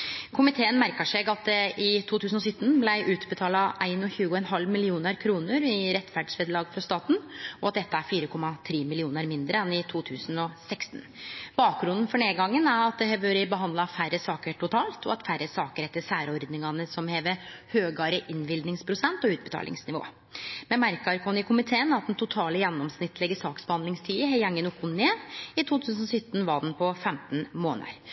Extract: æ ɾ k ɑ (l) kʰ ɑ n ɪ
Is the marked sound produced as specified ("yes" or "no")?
no